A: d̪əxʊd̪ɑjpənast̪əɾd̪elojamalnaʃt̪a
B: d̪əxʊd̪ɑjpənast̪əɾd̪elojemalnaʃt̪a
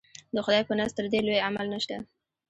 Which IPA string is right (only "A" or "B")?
A